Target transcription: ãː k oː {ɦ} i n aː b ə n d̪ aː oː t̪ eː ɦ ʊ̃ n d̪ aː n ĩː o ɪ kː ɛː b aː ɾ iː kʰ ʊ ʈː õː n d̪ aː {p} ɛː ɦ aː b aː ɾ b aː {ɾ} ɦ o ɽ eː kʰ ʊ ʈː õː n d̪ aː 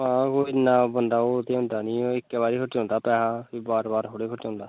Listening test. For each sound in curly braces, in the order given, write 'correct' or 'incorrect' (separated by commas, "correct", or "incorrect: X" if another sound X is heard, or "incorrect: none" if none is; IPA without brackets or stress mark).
incorrect: none, correct, correct